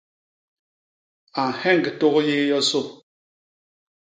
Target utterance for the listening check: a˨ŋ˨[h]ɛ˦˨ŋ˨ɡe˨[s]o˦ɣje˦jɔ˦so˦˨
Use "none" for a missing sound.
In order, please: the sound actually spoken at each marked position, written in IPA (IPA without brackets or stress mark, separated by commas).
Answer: h, t